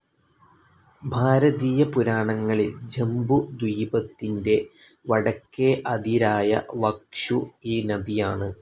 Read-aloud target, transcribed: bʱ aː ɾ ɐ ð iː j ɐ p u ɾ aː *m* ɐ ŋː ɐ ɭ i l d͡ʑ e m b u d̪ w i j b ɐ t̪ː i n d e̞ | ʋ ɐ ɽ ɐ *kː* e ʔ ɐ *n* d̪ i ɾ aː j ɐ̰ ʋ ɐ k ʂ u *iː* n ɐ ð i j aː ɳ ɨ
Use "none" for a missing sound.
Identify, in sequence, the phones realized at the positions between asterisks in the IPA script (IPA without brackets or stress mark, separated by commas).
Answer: ɳ, kː, none, iː